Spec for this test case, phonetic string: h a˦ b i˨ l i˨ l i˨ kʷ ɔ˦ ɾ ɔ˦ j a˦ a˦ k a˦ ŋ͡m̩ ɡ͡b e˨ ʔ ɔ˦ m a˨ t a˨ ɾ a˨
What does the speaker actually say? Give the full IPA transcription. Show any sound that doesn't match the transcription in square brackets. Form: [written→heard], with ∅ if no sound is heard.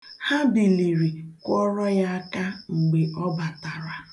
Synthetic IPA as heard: h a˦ b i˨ l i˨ [l→ɾ] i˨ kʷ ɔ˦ ɾ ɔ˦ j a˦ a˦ k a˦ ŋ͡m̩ ɡ͡b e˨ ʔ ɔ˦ [m→b] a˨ t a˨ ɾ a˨